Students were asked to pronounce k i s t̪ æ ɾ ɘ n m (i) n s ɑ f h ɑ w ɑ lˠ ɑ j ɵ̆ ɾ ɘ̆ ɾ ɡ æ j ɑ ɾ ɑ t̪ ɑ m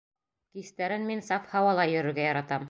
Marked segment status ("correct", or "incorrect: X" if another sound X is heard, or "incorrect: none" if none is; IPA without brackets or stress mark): correct